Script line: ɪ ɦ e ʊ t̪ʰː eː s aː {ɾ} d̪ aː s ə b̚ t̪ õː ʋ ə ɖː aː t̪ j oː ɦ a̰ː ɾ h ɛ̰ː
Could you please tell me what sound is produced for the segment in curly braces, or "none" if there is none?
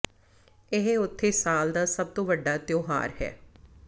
l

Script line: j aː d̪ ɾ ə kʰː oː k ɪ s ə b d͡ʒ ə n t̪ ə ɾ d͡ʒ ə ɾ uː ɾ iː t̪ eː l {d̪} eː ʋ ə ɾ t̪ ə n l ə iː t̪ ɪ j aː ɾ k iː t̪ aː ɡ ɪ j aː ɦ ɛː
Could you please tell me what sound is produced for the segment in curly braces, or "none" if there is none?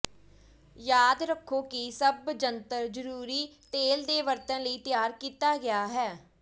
d̪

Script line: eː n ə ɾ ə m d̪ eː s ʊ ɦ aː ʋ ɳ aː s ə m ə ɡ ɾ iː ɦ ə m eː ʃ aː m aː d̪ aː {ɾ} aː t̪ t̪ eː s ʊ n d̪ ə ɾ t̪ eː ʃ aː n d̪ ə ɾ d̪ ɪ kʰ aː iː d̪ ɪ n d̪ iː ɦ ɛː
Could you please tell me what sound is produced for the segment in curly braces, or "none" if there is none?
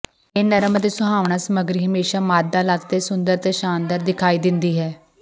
l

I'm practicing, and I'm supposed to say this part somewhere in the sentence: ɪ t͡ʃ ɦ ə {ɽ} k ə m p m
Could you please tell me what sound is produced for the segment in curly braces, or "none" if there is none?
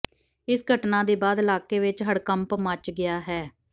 ɽ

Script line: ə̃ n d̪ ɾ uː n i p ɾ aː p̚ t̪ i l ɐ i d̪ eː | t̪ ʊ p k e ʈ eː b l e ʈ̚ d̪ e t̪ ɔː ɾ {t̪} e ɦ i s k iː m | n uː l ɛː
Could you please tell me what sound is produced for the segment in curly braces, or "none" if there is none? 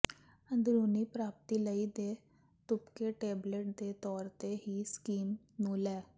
t̪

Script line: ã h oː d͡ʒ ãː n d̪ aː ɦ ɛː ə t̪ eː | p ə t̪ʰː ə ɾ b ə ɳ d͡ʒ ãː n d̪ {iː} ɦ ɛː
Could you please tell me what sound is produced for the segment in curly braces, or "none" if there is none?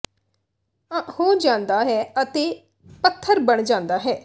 aː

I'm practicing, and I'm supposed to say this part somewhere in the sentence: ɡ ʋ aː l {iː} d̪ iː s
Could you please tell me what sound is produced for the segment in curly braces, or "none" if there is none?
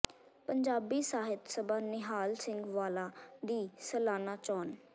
aː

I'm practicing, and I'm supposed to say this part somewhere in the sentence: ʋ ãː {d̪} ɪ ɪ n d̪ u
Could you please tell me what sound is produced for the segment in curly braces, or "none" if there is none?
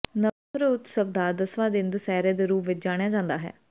d̪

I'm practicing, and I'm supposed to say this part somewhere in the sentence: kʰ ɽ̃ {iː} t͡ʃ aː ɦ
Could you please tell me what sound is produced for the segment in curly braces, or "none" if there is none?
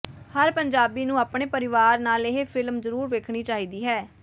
iː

